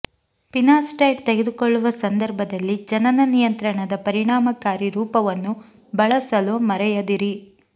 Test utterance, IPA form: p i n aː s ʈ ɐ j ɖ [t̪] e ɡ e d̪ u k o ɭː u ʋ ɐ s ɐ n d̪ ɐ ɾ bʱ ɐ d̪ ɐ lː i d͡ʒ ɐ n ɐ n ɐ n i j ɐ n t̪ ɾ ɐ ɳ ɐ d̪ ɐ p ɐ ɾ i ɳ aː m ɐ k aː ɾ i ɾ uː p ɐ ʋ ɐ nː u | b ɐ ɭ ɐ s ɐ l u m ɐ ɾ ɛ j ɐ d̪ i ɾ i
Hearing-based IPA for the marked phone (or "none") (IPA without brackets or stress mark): t̪